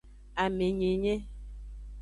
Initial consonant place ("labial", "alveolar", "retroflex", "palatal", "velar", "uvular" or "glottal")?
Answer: labial